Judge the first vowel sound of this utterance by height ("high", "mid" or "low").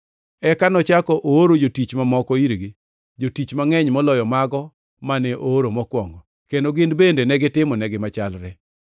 mid